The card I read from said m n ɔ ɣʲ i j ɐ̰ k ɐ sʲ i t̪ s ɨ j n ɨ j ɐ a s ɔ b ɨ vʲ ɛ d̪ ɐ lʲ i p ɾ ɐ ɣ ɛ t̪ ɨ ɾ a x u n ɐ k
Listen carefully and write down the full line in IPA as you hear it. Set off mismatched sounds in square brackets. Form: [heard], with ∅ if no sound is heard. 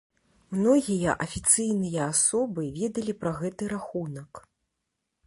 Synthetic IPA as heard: m n ɔ ɣʲ i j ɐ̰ [ʔ] ɐ [fʲ] i t̪ s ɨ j n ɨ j ɐ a s ɔ b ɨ vʲ ɛ d̪ ɐ lʲ i p ɾ ɐ ɣ ɛ t̪ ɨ ɾ a x u n ɐ k